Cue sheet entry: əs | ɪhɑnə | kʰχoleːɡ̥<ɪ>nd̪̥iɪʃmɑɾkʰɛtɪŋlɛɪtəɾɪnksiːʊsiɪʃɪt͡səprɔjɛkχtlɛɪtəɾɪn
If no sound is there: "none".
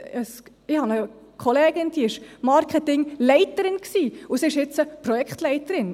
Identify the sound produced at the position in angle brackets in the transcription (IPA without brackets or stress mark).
ɪ